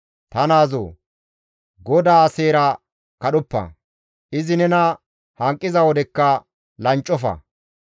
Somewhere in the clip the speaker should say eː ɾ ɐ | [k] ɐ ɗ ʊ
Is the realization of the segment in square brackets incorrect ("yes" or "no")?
no